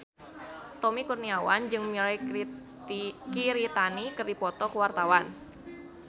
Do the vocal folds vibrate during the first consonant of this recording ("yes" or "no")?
no